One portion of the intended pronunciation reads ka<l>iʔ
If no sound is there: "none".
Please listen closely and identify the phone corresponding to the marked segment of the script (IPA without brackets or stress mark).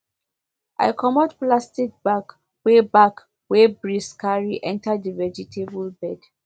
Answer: ɹ